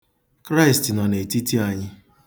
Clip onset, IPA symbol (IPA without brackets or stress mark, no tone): k